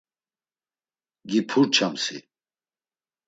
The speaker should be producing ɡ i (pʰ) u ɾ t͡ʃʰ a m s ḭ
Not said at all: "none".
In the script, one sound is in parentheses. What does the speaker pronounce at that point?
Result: pʰ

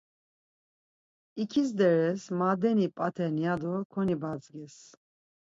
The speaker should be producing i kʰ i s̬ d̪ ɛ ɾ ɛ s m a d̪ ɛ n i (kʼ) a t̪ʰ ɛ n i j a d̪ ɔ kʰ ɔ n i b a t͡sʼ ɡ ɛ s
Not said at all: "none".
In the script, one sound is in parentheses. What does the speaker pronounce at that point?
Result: pʼ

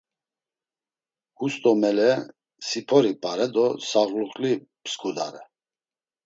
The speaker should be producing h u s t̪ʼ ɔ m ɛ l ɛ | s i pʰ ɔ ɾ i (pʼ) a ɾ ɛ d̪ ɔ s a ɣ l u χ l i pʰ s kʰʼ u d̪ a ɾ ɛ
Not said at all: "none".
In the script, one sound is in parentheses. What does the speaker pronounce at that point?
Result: pʼ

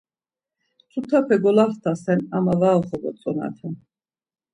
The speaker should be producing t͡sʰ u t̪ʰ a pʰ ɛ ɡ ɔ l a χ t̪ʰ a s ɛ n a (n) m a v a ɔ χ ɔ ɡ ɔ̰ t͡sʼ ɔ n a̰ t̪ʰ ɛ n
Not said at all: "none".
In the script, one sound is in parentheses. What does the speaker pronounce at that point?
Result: none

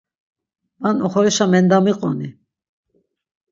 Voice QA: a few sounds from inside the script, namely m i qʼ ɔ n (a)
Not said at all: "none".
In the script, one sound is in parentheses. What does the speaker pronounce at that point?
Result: i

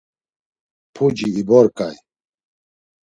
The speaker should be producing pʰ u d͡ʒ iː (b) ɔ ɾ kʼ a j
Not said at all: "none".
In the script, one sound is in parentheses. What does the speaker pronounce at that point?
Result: b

